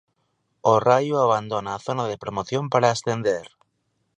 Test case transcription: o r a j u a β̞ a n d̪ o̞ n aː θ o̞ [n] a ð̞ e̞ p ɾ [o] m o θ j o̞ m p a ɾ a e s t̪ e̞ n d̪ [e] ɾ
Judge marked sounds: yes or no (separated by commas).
yes, yes, yes